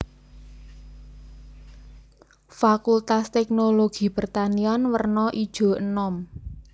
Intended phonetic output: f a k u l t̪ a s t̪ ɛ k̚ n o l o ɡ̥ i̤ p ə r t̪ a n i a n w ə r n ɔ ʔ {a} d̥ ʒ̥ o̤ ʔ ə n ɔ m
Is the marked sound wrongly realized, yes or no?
yes